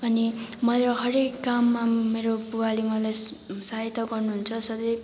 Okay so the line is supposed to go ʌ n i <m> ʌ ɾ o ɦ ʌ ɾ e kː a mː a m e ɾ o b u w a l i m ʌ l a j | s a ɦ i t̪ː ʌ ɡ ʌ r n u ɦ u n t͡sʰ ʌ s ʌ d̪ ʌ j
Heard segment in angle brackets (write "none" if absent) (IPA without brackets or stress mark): m